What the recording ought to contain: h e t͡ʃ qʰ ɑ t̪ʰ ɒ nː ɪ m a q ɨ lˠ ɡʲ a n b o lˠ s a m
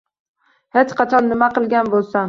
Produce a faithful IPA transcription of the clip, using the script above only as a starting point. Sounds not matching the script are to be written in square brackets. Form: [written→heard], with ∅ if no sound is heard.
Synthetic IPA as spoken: h e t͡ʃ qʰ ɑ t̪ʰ ɒ nː ɪ m a q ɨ lˠ ɡʲ a n b o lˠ s a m